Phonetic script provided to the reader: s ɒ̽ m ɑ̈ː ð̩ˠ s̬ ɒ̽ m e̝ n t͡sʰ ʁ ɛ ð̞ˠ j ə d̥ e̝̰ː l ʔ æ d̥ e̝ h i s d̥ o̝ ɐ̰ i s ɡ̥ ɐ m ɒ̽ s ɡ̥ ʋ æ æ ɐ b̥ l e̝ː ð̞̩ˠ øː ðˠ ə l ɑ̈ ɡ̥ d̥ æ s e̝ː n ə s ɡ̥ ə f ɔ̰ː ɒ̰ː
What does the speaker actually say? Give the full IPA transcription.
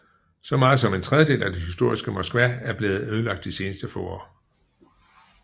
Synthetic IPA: s ɒ̽ m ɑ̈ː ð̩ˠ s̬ ɒ̽ m e̝ n t͡sʰ ʁ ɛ ð̞ˠ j ə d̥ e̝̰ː l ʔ æ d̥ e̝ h i s d̥ o̝ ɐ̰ i s ɡ̥ ə m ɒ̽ s ɡ̥ ʋ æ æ ɐ b̥ l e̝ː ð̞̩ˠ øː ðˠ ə l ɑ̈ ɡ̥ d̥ i s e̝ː n ə s d̥ ə f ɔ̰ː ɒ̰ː